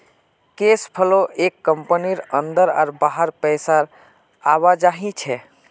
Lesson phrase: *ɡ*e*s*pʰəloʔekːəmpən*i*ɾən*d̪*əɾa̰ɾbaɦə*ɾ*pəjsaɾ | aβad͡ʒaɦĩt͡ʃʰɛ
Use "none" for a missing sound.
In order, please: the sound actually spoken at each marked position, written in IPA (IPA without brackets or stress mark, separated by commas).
k, s, i, d̪, ɾ